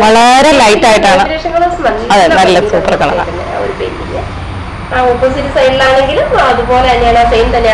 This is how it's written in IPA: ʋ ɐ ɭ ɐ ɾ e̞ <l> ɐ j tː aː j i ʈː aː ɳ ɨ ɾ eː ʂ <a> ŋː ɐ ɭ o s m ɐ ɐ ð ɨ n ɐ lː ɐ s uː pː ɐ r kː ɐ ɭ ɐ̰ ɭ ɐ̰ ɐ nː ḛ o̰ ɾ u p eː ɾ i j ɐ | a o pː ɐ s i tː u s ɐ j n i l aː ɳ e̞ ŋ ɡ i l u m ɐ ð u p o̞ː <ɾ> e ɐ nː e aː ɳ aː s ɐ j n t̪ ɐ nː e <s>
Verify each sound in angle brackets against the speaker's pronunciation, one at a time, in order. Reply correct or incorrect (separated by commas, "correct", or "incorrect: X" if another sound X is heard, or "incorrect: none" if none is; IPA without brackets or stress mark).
correct, incorrect: ɐ, incorrect: l, incorrect: none